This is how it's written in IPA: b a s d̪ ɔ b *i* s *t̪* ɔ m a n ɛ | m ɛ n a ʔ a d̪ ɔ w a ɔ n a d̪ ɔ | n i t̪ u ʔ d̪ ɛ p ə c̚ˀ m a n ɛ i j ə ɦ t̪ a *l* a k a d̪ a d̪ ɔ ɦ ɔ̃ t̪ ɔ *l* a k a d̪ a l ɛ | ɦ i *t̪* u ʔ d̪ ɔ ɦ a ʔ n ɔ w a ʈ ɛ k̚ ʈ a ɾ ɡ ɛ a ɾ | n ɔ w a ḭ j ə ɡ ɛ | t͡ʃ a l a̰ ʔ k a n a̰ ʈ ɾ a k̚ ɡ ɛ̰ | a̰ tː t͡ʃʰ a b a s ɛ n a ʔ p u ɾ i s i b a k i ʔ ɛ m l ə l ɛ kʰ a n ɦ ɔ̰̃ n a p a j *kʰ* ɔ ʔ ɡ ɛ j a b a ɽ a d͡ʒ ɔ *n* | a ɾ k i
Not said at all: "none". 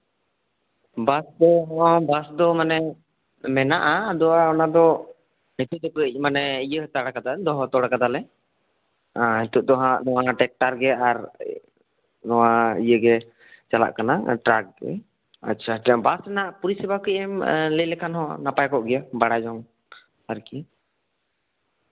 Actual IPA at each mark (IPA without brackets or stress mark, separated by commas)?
a, d̪, ɽ, ɽ, t̪, k, ŋ